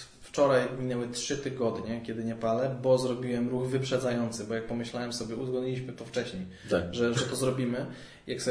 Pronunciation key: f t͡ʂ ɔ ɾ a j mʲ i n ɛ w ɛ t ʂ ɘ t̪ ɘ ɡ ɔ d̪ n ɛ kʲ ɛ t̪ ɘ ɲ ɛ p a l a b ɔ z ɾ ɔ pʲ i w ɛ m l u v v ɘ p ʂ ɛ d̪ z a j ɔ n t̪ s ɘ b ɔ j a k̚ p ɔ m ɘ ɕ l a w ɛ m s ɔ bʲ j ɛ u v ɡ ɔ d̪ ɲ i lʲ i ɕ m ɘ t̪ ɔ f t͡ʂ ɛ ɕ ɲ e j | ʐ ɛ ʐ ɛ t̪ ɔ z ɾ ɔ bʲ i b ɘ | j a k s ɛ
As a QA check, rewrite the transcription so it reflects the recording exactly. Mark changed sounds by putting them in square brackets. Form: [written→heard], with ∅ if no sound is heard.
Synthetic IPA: f t͡ʂ ɔ ɾ a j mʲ i n ɛ w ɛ t ʂ ɘ t̪ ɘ ɡ ɔ d̪ [n→ɲ] ɛ kʲ ɛ [t̪→d̪] ɘ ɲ ɛ p a l [a→ɛ] b ɔ z ɾ ɔ [pʲ→bʲ] i w ɛ m [l→ɾ] u [v→ɣ] v ɘ p ʂ ɛ d̪ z a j ɔ n t̪ s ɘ b ɔ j a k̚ p ɔ m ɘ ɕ l a w ɛ m s ɔ bʲ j ɛ u [v→z] ɡ ɔ d̪ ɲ i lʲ i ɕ m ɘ t̪ ɔ f t͡ʂ ɛ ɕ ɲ e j | ʐ ɛ ʐ ɛ t̪ ɔ z ɾ ɔ bʲ i [b→m] ɘ | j a k s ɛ